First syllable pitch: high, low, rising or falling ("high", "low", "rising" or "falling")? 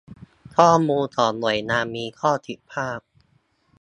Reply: falling